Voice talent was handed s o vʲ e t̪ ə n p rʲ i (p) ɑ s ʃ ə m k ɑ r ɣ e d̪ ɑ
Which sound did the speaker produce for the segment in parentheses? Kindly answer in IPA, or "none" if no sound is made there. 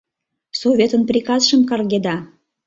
k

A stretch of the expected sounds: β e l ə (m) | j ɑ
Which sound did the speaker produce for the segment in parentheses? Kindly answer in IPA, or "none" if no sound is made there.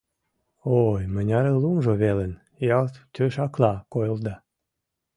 n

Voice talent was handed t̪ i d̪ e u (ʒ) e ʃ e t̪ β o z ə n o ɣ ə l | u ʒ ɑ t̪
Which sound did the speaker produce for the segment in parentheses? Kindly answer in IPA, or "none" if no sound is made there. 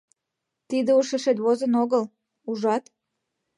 ʃ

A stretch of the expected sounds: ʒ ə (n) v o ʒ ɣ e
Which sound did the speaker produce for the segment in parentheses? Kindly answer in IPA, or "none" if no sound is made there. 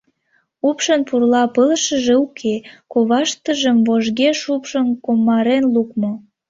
m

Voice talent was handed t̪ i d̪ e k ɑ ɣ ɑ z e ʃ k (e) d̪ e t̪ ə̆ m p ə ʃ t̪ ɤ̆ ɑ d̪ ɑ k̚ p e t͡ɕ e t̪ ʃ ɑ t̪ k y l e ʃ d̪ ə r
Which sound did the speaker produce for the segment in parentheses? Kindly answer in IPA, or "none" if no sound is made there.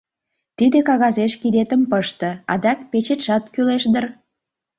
i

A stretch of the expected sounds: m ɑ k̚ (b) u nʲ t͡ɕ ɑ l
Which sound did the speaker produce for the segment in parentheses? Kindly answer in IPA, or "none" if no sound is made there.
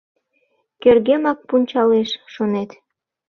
p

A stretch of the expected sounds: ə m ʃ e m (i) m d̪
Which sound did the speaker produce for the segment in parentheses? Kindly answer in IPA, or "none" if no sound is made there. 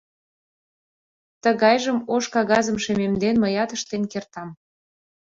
e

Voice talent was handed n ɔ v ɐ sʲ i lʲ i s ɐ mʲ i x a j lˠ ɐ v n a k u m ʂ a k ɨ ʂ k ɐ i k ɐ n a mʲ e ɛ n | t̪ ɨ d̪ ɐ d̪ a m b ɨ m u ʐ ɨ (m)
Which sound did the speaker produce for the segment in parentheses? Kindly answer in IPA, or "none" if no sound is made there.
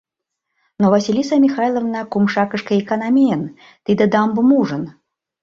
n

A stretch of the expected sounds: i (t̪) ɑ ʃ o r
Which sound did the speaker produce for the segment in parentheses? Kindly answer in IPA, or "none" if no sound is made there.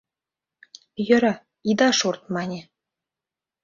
d̪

